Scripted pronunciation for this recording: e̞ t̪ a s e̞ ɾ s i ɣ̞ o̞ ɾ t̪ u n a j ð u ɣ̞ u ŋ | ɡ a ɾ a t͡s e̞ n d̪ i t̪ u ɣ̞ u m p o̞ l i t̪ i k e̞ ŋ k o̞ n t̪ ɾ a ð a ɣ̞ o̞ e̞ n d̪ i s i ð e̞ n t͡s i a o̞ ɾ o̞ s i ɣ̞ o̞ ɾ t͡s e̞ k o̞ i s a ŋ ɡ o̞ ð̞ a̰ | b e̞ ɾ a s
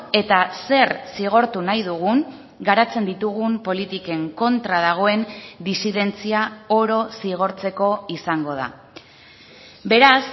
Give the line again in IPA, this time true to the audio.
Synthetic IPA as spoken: e̞ t̪ a s e̞ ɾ s i ɣ̞ o̞ ɾ t̪ u n a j ð u ɣ̞ u ŋ | ɡ a ɾ a t͡s e̞ n d̪ i t̪ u ɣ̞ u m p o̞ l i t̪ i k e̞ ŋ k o̞ n t̪ ɾ a ð a ɣ̞ o̞ e̞ n d̪ i s i ð e̞ n t͡s i a o̞ ɾ o̞ s i ɣ̞ o̞ ɾ t͡s e̞ k o̞ i s a ŋ ɡ o̞ ð̞ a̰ | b e̞ ɾ a s